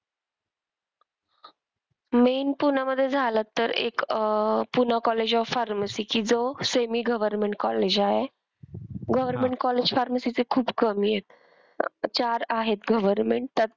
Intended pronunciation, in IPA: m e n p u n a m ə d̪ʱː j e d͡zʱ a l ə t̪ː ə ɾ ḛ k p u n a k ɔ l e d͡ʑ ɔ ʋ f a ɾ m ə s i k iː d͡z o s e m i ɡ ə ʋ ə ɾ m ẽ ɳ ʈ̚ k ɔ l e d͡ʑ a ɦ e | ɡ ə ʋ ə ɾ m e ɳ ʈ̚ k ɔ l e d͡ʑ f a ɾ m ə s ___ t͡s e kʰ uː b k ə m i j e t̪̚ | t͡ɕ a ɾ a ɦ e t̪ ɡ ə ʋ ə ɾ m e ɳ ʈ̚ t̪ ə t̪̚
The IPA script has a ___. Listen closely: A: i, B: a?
A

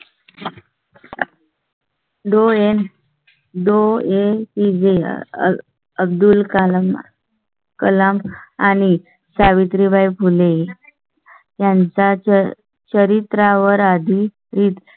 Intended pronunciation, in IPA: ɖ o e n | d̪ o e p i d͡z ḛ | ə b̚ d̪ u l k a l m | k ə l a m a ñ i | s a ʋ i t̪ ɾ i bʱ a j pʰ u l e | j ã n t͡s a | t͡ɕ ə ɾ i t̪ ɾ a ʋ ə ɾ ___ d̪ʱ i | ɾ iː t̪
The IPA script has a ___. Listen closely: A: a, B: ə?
A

